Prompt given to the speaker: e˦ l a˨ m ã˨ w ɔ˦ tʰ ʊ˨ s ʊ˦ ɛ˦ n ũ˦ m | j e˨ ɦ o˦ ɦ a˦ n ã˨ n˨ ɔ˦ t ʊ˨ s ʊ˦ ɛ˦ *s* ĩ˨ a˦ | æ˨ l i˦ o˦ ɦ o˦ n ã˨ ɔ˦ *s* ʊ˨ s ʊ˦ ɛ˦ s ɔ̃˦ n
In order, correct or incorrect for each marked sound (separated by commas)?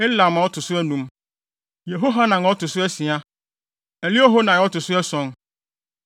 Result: correct, incorrect